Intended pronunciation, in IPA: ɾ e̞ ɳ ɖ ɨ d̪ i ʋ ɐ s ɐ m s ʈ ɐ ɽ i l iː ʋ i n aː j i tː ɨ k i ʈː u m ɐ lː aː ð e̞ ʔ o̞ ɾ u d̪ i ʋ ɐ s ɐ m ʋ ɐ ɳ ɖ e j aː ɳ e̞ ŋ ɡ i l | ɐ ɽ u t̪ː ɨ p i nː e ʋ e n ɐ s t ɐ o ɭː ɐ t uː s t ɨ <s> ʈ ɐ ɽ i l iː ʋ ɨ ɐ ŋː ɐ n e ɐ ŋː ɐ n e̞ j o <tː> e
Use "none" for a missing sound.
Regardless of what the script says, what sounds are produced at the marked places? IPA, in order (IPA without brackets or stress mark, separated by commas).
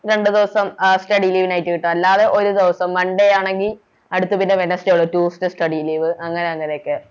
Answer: s, kː